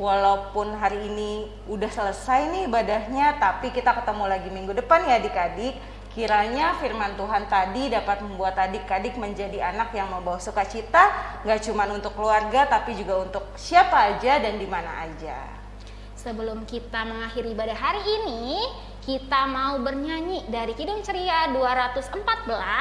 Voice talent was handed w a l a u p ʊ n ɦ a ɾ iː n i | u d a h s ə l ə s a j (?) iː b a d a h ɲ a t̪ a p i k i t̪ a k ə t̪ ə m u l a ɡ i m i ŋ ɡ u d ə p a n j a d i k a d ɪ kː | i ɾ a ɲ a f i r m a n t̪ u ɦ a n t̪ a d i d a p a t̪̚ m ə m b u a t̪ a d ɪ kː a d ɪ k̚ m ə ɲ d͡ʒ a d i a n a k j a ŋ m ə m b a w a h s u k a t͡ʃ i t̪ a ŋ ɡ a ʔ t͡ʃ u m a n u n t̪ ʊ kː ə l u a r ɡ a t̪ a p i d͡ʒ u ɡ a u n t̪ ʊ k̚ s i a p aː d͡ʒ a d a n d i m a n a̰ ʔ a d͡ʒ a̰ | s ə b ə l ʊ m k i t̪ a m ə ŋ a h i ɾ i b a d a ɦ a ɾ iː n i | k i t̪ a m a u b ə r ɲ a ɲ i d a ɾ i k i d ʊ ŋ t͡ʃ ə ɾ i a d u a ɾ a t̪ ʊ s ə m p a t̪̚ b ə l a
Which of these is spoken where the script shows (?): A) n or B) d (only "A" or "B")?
A